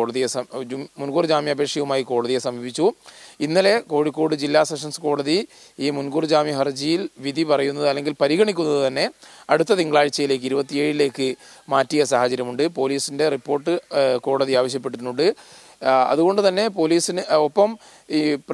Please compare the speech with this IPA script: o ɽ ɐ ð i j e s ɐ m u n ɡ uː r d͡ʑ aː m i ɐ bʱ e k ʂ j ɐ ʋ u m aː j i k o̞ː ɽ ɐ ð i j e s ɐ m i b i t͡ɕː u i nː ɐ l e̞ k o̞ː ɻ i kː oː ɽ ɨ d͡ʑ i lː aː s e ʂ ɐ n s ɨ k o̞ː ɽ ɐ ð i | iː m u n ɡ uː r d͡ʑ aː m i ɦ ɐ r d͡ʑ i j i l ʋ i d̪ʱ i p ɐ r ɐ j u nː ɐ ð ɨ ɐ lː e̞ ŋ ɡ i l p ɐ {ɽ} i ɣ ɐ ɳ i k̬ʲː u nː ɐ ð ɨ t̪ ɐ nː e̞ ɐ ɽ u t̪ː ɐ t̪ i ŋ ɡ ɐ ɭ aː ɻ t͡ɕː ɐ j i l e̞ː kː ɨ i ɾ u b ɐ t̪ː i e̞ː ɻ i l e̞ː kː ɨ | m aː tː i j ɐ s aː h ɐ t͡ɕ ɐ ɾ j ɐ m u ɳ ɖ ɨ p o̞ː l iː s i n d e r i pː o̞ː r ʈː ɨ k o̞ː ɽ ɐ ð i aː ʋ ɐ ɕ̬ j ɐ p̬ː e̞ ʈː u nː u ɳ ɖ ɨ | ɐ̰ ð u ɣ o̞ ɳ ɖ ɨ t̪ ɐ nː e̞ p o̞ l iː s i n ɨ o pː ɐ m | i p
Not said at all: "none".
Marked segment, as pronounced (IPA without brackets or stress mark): ɾ